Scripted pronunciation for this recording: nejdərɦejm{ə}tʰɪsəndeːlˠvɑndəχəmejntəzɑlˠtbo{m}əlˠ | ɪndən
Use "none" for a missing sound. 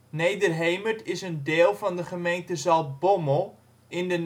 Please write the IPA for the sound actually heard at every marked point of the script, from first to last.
ə, m

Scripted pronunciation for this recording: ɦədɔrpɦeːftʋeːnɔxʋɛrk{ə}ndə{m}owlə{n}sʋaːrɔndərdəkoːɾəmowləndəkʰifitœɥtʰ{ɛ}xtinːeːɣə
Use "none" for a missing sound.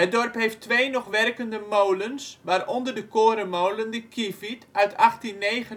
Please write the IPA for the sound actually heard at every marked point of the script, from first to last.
ə, m, n, a

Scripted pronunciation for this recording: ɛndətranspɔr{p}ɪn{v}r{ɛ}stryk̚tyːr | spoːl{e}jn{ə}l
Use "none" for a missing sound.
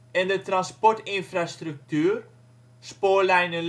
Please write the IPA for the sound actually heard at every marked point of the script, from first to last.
t, f, a, ɛ, ə

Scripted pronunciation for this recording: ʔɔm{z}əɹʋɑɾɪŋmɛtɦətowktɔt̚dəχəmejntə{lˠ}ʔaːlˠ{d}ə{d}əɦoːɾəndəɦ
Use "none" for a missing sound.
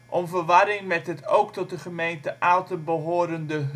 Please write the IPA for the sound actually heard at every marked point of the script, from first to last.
v, none, t, b

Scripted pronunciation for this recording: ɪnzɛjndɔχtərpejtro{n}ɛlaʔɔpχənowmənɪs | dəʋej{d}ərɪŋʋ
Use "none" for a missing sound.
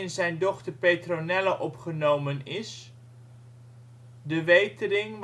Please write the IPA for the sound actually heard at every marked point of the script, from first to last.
n, t

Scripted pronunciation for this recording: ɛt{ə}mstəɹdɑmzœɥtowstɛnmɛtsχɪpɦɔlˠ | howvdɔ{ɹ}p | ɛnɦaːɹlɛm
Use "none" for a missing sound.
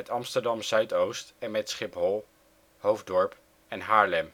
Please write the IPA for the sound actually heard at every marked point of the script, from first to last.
ɑ, ɹ

